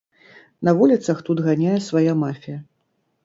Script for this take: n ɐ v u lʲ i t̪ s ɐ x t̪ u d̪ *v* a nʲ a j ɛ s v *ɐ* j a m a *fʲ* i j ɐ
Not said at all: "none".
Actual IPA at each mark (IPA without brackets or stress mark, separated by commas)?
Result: ɣ, a, fʲ